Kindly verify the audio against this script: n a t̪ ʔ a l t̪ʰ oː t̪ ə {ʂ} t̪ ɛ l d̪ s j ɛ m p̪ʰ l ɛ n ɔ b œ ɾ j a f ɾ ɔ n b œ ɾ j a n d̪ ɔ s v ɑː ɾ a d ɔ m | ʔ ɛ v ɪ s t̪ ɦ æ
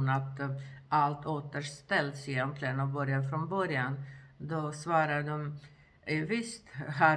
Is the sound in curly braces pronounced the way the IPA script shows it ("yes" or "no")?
yes